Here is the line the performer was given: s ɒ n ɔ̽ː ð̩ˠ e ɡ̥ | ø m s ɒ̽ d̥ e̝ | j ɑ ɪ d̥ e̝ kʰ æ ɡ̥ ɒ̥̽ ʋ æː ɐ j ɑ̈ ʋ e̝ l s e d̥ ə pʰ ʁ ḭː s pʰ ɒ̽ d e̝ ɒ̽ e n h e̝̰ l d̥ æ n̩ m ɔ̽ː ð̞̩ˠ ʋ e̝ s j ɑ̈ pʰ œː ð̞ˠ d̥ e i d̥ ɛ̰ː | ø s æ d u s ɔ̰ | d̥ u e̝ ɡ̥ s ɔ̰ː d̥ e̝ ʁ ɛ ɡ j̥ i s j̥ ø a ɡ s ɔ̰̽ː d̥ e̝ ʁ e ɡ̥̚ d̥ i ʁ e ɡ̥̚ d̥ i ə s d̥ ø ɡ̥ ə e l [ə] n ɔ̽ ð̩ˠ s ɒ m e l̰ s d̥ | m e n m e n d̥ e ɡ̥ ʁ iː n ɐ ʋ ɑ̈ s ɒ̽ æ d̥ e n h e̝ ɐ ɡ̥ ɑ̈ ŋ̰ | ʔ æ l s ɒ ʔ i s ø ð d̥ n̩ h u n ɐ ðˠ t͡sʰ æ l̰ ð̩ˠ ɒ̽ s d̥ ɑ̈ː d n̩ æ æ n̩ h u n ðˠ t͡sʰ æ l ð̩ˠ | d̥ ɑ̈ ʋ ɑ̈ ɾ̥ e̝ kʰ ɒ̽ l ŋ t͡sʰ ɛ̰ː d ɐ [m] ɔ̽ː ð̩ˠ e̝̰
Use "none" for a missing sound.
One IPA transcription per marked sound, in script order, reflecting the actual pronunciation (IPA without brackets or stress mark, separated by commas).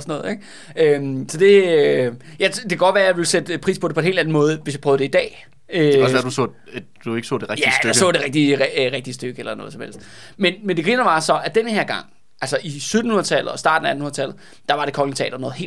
ɐ, n